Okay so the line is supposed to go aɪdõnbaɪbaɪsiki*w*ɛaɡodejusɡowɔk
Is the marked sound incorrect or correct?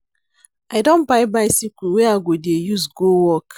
correct